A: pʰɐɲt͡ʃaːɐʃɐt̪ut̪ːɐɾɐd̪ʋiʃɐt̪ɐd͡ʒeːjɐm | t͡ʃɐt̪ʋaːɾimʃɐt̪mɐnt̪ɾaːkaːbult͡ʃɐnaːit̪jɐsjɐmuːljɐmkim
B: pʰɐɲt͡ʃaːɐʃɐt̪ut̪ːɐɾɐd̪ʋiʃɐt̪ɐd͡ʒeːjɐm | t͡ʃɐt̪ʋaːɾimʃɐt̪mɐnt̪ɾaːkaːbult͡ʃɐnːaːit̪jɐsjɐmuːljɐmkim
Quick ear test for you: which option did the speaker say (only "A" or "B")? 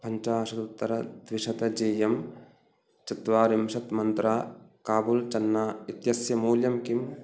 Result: B